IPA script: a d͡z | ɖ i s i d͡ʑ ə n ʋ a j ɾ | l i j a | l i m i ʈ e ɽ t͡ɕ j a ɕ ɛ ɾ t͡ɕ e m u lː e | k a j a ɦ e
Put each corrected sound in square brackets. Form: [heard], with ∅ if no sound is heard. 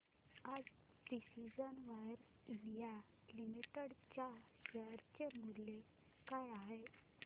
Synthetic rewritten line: a d͡z | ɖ i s i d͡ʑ ə n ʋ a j ɾ | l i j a | l i m i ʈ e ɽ t͡ɕ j a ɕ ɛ ɾ t͡ɕ e m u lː e | k a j a ɦ e

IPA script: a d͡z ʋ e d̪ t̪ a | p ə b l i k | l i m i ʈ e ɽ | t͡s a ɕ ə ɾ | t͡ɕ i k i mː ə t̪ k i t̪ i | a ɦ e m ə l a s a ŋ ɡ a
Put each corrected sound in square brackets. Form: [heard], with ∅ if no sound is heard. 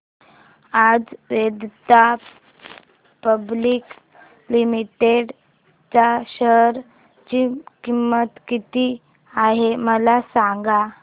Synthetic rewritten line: a d͡z ʋ e d̪ t̪ a | p ə b l i k | l i m i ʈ e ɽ | t͡s a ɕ ə ɾ | t͡ɕ i k i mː ə t̪ k i t̪ i | a ɦ e m ə l a s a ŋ ɡ a

